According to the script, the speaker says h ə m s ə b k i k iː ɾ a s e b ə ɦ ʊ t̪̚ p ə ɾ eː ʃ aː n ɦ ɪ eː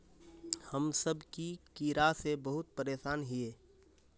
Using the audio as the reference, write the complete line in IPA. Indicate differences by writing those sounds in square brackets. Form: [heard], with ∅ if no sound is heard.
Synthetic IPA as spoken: h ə m s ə b k i k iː ɾ a s e b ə ɦ ʊ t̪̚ p ə ɾ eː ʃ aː n ɦ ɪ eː